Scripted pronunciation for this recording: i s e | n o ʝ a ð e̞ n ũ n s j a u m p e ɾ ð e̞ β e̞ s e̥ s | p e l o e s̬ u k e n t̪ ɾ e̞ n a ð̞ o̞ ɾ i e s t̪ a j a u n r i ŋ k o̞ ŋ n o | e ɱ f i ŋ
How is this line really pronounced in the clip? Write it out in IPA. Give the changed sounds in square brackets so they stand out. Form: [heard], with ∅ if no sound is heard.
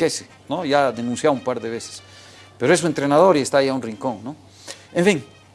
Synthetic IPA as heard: [e] s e | n o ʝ a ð e̞ n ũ n s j a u m p [a] ɾ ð e̞ β e̞ s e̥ s | p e [ɾ] o e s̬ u [∅] e n t̪ ɾ e̞ n a ð̞ o̞ ɾ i e s t̪ a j a u n r i ŋ k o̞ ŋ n o | e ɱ f i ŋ